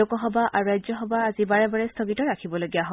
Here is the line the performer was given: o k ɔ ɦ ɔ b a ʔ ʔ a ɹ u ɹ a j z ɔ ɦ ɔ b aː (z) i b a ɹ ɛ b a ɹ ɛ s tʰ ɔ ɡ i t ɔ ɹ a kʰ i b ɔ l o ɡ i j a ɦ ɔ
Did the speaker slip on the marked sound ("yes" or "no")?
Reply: no